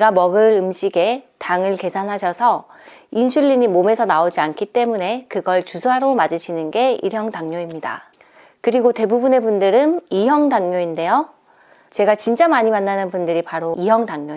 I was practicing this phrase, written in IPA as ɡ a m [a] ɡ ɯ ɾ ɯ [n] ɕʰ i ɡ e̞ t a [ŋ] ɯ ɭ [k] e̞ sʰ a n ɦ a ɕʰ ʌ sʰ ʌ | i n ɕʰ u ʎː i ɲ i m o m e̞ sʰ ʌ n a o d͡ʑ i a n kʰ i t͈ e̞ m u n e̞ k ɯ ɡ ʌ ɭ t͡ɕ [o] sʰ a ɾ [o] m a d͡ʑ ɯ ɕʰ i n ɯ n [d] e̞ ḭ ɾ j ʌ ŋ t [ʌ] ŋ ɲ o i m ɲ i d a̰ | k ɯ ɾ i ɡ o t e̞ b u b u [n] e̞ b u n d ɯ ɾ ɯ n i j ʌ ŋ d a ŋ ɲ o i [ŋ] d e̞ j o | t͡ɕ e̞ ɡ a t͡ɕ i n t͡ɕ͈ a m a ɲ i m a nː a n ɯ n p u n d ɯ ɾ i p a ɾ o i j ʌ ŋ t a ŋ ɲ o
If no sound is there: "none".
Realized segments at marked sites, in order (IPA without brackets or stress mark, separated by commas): ʌ, m, ŋ, k, u, o, ɡ, a, n, n